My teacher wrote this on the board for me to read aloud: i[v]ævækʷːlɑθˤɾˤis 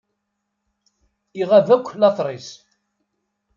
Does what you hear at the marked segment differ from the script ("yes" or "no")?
yes